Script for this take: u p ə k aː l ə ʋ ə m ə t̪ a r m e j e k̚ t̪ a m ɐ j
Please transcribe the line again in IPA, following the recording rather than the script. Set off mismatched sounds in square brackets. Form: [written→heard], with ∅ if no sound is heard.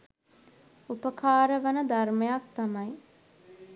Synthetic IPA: u p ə k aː [l→ɾ] ə ʋ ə [m→n] ə [t̪→d̪] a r m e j [e→a] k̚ t̪ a m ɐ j